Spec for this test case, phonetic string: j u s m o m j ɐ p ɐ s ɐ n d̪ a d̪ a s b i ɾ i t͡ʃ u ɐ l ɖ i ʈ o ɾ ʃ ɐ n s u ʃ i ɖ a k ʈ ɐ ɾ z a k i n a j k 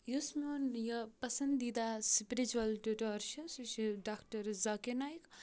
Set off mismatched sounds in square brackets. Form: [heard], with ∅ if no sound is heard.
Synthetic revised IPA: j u s m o [n] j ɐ p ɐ s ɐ n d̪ [i] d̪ a s [p] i ɾ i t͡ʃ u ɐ l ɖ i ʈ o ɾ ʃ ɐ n s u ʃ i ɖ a k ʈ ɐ ɾ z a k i n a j k